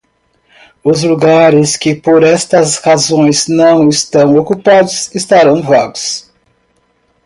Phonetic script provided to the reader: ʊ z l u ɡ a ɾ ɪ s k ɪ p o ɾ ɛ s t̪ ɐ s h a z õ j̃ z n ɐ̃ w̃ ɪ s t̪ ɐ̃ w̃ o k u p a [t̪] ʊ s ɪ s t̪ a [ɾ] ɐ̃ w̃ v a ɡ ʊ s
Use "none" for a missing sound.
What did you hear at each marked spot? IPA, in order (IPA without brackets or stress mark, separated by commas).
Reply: d̪, ɾ